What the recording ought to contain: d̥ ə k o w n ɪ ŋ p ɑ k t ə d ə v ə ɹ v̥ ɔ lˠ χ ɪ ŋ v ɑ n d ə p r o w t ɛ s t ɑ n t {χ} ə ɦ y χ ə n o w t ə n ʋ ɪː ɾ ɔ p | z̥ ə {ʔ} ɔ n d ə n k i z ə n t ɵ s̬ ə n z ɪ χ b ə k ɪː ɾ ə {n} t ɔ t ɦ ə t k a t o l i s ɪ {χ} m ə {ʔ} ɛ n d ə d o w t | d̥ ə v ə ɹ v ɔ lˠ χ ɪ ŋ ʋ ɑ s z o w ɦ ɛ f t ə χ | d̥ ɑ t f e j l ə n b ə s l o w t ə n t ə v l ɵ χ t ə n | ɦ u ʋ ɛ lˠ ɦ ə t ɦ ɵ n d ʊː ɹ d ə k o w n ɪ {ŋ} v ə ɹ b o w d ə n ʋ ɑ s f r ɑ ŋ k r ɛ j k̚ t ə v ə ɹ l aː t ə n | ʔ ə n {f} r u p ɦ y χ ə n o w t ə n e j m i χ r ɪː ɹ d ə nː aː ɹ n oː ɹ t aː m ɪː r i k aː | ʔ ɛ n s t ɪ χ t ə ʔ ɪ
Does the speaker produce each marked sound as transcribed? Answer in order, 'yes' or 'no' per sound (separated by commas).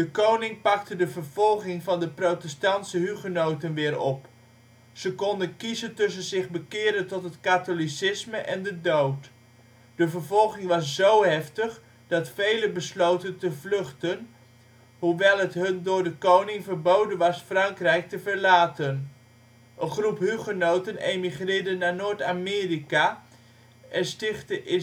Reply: no, no, yes, no, yes, yes, no